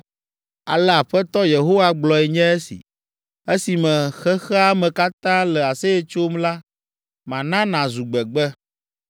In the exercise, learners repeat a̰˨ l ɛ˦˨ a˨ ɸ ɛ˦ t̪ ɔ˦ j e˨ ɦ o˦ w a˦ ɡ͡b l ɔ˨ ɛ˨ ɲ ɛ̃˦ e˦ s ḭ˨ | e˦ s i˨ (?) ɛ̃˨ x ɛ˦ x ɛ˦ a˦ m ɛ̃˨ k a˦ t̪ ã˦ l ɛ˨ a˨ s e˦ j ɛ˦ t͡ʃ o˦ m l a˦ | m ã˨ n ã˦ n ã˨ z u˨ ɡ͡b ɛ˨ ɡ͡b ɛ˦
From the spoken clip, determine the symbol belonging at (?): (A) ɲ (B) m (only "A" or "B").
B